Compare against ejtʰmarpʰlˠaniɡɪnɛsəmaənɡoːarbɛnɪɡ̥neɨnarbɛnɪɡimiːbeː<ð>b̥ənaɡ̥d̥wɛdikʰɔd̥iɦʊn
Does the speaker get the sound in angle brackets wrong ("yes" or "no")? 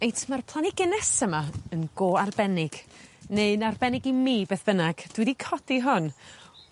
yes